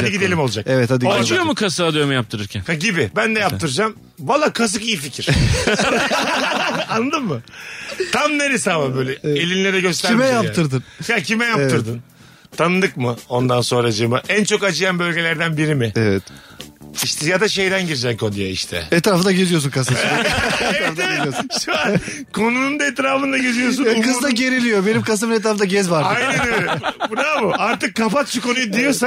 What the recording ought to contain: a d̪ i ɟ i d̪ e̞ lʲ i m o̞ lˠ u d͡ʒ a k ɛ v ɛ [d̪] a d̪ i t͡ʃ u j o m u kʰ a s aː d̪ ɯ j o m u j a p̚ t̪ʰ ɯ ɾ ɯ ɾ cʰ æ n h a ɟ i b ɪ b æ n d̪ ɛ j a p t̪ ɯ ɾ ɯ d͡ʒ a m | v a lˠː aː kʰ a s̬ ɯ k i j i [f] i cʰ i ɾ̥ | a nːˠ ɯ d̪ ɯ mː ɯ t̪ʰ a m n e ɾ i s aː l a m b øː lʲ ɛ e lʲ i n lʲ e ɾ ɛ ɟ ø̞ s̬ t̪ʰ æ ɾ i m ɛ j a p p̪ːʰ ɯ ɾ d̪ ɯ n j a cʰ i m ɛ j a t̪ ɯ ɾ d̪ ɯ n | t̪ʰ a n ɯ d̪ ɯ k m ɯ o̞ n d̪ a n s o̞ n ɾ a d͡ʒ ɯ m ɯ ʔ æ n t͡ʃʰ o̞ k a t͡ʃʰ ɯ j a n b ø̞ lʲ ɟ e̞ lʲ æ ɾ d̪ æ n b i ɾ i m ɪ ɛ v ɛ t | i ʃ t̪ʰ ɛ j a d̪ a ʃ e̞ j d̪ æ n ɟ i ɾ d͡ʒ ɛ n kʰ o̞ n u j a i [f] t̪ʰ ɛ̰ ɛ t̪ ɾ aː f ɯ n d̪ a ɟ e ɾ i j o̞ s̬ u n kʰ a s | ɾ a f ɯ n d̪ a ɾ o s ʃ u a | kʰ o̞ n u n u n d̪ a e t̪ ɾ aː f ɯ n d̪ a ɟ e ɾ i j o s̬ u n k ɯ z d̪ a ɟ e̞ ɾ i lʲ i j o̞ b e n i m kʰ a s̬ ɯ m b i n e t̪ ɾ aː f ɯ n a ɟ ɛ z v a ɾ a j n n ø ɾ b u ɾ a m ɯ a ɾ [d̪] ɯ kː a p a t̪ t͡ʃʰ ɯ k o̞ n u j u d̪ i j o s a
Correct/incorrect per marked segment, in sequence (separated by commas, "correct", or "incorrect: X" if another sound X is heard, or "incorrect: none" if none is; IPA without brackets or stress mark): incorrect: t̪, correct, incorrect: ʃ, incorrect: t̪